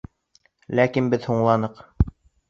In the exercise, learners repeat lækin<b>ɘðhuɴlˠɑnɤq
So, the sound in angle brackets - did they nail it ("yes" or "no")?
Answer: yes